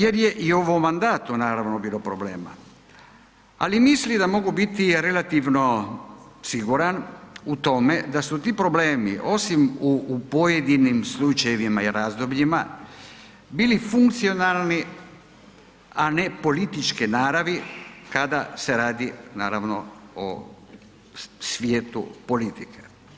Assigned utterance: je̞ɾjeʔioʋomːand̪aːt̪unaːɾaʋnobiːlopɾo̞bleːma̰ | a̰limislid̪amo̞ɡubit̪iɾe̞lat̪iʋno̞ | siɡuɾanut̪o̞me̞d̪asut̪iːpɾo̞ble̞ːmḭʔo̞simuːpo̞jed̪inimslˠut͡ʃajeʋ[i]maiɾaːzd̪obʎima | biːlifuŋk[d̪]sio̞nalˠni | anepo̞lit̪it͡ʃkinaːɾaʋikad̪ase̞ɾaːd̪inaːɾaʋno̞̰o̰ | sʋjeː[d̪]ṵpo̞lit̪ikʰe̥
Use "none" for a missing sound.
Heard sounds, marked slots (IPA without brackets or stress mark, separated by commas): i, t̪, t̪